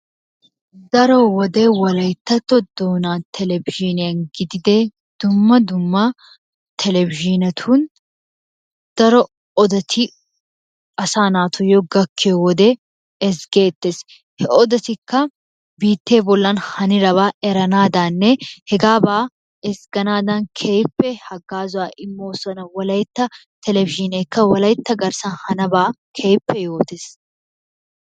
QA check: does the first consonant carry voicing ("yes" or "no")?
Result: yes